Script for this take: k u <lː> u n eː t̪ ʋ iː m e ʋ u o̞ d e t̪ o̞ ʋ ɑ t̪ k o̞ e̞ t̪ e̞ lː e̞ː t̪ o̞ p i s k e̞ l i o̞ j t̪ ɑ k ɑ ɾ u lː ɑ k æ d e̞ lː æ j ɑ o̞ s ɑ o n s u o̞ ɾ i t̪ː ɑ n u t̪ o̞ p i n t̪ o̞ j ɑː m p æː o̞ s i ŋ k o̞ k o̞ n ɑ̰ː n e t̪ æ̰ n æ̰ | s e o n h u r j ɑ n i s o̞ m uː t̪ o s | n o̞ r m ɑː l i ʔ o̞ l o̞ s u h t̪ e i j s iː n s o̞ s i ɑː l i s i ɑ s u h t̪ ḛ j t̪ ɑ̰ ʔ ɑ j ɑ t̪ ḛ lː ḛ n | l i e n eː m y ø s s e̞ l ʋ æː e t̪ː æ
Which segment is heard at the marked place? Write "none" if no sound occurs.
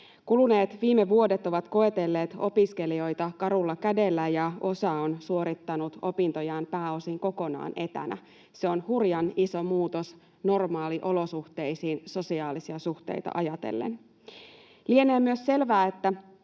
l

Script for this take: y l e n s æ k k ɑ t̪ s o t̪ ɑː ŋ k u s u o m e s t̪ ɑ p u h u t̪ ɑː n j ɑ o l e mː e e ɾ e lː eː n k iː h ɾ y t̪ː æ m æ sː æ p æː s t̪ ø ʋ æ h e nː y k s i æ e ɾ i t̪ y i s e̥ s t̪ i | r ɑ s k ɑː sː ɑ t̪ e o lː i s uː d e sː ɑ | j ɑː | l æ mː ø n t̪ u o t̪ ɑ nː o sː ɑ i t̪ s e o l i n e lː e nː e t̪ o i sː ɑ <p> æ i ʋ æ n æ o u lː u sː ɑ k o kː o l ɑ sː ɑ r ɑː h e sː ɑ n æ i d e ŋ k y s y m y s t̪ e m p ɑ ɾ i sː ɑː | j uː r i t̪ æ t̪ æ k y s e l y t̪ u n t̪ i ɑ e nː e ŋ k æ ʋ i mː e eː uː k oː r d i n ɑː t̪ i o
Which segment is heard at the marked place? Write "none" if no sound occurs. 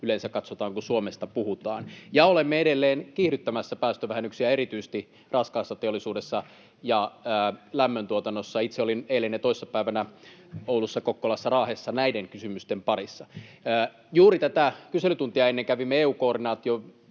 p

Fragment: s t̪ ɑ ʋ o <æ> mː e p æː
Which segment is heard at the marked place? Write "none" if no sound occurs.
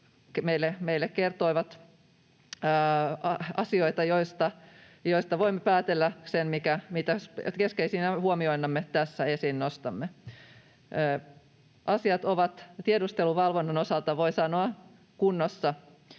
i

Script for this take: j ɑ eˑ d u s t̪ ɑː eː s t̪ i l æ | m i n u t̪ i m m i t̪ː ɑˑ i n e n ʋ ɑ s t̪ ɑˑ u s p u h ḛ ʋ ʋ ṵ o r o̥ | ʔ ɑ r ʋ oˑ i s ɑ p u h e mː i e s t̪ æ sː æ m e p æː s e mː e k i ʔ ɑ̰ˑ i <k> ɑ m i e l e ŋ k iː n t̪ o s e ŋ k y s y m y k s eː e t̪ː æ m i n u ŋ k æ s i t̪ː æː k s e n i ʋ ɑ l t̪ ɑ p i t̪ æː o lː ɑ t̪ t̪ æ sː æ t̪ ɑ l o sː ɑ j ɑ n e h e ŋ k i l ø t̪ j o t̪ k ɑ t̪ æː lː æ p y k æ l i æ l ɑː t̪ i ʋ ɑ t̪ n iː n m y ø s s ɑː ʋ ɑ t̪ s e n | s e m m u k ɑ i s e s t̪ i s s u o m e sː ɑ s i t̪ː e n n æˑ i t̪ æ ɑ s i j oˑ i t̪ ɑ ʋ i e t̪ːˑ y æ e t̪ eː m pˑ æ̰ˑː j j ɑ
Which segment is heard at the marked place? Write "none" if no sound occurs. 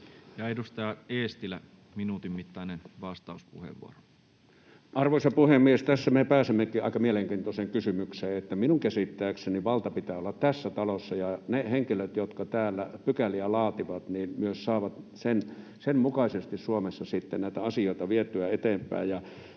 k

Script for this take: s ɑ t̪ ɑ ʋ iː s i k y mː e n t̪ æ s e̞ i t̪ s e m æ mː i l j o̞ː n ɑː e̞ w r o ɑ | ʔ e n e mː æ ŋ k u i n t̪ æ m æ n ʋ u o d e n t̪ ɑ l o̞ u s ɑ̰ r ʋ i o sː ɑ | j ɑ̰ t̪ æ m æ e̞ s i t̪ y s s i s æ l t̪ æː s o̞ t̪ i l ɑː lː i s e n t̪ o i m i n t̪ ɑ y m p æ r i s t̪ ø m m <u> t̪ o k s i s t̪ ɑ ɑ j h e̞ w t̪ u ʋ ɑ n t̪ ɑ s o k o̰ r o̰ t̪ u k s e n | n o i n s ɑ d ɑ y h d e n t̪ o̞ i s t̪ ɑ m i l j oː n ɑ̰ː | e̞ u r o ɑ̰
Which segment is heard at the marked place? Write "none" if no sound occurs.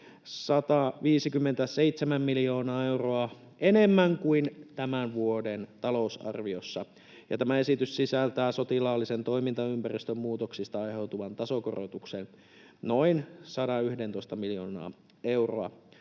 uː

